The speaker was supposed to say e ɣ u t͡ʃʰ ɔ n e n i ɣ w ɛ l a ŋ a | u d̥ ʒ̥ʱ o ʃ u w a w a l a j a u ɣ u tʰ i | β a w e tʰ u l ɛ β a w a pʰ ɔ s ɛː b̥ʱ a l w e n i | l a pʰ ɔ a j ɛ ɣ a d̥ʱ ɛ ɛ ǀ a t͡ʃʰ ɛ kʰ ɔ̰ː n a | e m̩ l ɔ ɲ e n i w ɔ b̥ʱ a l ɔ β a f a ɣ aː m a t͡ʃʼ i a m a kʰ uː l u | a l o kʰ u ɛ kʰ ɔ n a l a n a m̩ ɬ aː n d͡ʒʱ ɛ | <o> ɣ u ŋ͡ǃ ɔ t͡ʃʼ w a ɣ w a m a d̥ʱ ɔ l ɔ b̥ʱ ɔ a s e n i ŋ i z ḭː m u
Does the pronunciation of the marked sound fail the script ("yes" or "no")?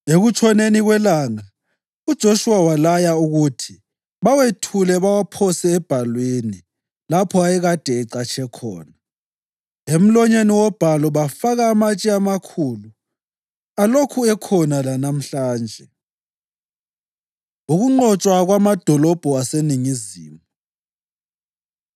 yes